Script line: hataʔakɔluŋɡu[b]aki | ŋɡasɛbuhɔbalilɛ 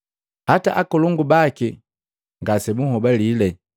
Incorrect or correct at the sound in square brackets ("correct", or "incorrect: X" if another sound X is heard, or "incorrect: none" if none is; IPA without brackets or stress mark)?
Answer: correct